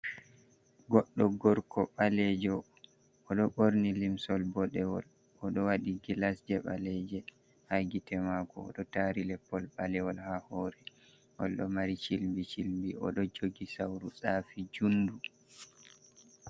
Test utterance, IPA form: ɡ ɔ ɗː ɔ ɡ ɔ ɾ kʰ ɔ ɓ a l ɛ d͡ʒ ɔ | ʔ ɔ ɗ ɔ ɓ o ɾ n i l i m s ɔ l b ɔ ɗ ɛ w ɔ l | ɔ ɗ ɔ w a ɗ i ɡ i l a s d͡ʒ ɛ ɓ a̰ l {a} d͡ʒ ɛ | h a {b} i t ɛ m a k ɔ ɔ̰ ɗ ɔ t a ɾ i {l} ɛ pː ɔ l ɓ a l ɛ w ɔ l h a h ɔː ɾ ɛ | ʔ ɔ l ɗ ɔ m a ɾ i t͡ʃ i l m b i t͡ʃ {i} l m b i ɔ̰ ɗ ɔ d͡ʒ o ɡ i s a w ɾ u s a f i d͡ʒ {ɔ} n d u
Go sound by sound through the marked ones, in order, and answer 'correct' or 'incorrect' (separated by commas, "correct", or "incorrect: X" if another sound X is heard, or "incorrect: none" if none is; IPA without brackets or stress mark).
incorrect: ɛ, incorrect: ɡ, correct, correct, incorrect: u